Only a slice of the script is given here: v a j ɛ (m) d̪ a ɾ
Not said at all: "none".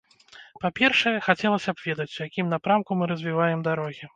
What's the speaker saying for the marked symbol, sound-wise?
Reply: m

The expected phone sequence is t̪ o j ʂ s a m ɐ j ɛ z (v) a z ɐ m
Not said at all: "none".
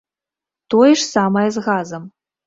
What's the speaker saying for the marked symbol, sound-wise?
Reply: ɣ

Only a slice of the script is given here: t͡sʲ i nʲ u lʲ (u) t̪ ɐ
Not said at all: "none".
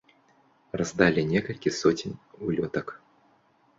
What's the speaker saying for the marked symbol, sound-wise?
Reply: ɔ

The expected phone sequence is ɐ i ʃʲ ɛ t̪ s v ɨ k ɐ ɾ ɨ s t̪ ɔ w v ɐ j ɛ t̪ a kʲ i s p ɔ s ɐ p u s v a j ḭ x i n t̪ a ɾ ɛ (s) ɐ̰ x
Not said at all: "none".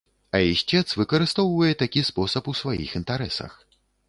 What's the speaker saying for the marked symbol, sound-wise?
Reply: s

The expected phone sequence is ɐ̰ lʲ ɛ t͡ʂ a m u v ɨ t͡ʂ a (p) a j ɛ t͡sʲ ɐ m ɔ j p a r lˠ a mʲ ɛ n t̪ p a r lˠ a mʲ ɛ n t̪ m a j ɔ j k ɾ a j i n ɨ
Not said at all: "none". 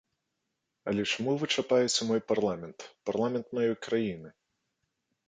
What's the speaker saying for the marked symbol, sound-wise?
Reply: p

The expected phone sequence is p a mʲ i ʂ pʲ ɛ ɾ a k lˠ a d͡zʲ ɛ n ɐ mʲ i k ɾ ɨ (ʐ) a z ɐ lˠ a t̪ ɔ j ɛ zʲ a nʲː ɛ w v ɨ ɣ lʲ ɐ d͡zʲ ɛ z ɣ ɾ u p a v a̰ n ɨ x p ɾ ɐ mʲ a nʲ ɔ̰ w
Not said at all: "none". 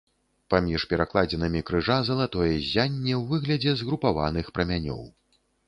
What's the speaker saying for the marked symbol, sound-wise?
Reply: ʐ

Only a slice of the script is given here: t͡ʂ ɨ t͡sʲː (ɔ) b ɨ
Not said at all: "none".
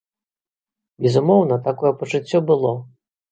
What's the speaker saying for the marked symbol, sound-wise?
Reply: ɔ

